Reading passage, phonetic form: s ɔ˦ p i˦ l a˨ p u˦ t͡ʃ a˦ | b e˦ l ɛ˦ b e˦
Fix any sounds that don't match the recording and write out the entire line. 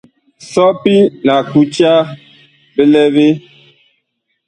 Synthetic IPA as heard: s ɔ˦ p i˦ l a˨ k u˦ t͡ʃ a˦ | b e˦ l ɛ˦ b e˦